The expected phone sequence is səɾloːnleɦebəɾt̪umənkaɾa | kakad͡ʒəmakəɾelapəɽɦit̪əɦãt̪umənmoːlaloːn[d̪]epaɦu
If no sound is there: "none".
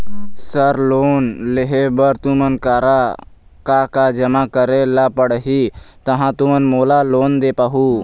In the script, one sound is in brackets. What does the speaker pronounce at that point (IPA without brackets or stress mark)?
d̪